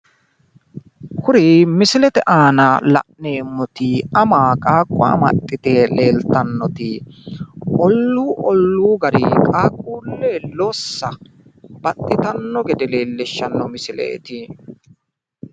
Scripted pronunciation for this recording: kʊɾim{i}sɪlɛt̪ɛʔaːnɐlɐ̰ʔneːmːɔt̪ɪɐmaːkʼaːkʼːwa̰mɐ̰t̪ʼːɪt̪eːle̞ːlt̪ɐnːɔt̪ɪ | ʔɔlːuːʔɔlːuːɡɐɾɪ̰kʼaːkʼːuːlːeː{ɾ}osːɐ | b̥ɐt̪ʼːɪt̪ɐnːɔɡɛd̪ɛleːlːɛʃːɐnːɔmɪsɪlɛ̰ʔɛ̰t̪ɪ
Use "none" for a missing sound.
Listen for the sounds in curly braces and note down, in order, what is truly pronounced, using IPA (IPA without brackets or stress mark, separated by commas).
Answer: ɪ, l